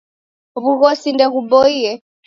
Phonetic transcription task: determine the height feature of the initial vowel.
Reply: high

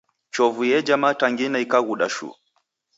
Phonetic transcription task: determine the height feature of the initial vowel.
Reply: mid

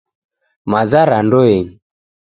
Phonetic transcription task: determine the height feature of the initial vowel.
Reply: low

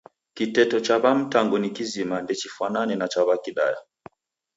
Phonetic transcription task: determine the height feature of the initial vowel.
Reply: high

